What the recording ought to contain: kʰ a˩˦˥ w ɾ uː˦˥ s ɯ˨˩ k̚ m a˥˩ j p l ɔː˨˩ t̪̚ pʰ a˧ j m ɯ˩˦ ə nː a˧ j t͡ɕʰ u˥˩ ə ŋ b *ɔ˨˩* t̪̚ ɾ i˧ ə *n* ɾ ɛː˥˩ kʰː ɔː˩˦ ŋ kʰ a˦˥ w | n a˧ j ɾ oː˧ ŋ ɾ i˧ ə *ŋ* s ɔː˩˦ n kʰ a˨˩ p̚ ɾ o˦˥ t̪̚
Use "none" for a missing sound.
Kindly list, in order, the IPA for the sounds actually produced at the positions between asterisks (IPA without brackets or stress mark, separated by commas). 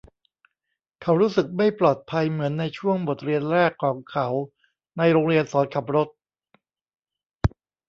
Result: o˨˩, n, n